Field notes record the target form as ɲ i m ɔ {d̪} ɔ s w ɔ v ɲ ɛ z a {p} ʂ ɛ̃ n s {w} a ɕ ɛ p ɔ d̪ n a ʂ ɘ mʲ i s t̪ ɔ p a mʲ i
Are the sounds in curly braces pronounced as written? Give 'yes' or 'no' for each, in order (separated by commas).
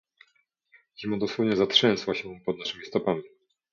yes, no, yes